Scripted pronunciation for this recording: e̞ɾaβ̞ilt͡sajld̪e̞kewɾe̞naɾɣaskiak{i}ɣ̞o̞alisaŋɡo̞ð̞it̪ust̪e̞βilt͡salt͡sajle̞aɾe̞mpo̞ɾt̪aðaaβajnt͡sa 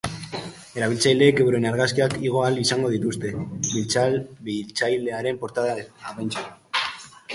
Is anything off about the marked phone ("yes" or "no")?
no